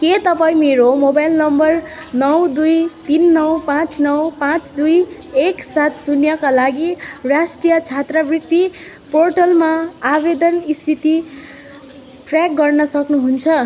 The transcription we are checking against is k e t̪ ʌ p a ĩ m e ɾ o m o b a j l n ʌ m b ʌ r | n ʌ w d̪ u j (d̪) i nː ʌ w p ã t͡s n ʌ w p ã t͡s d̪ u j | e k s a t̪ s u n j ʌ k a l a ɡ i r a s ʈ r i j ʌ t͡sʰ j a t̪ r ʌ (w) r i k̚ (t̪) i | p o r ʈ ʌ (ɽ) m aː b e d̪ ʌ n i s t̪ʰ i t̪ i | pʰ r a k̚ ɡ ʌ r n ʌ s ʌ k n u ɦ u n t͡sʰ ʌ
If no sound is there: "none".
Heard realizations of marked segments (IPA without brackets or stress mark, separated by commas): t̪, b, t̪, l